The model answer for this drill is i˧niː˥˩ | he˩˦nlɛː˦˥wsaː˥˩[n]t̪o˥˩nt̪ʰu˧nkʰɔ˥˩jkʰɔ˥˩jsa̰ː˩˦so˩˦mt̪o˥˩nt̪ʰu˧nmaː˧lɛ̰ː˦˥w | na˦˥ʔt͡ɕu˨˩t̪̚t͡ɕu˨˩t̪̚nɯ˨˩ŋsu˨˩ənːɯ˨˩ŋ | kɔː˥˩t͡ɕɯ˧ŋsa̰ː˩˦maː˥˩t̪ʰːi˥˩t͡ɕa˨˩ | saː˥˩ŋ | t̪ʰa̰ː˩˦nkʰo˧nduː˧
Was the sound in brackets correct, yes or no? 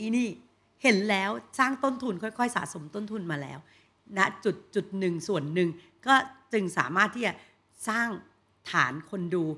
no